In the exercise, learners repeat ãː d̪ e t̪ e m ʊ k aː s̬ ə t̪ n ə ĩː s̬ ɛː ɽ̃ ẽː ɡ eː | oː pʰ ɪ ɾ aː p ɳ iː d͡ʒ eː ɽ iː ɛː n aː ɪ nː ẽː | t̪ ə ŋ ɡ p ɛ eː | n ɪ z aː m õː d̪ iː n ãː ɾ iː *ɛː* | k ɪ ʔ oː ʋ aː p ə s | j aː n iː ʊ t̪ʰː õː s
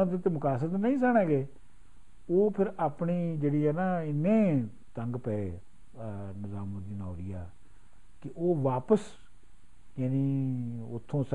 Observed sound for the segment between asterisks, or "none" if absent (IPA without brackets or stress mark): aː